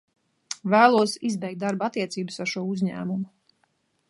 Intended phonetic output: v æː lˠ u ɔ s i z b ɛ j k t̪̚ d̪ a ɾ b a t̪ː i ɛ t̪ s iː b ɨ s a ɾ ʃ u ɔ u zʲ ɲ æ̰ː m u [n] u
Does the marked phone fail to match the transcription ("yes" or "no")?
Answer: yes